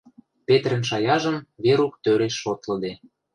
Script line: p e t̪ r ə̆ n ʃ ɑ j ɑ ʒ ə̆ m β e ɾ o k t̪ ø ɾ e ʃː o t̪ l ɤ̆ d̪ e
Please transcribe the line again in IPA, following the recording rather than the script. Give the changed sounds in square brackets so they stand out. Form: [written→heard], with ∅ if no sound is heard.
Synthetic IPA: p e t̪ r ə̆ n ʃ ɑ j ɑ ʒ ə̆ m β e ɾ [o→u] k t̪ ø ɾ e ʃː o t̪ l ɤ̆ d̪ e